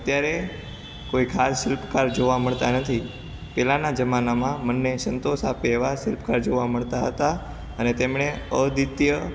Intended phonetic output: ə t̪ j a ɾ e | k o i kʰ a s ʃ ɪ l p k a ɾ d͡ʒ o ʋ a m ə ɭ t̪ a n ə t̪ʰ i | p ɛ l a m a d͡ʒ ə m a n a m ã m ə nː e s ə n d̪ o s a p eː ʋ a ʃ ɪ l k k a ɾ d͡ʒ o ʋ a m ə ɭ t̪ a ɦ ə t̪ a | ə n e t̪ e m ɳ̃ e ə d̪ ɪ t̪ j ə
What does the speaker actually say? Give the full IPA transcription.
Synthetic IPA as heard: ə t̪ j a ɾ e | k o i kʰ a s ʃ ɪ l p k a ɾ d͡ʒ o ʋ a m ə ɭ t̪ a n ə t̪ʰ i | p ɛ l a n a d͡ʒ ə m a n a m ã m ə nː e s ə n t̪ o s a p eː ʋ a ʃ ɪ l p k a ɾ d͡ʒ o ʋ a m ə ɭ t̪ a ɦ ə t̪ a | ə n e t̪ e m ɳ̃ e ə d̪ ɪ t̪ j ə